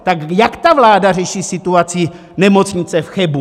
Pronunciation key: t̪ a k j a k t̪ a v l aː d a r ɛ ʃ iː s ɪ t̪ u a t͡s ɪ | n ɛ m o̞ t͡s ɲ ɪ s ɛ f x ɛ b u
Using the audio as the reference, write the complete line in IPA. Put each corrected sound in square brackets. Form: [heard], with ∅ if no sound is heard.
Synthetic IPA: t̪ a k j a k t̪ a v l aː d a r ɛ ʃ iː s ɪ t̪ u a t͡s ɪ | n ɛ m o̞ t͡s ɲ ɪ [t͡s] ɛ f x ɛ b u